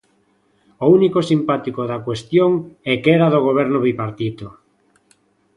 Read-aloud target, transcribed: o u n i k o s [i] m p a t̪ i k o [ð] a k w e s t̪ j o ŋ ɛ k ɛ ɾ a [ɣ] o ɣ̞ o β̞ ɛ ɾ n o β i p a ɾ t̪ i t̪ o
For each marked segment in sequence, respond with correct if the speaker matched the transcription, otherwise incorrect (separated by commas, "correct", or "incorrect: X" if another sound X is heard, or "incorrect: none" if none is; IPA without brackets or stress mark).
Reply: correct, correct, incorrect: ð